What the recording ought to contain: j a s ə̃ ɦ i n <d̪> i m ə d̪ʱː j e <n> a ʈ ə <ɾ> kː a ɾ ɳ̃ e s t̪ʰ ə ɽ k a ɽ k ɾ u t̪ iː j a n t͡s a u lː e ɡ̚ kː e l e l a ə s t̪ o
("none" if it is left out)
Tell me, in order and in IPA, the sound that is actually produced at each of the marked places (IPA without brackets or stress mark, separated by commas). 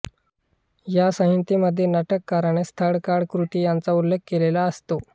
t̪, n, none